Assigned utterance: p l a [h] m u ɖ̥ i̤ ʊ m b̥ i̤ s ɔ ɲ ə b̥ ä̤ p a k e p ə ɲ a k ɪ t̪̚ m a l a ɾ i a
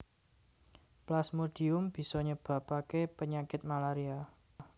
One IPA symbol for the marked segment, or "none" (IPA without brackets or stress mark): s